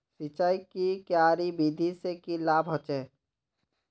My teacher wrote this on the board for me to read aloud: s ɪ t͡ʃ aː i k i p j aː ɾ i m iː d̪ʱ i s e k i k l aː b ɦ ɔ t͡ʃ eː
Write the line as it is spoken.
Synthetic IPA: s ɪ t͡ʃ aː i k i k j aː ɾ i b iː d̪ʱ i s e k i l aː b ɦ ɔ t͡ʃ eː